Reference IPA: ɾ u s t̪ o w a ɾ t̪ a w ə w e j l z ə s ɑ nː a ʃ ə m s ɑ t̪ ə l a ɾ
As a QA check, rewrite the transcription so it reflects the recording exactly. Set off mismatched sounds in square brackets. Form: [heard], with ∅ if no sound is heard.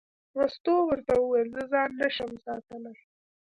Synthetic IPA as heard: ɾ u s t̪ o w [ə] ɾ t̪ a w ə w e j l z ə [z] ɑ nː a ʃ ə m s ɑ t̪ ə l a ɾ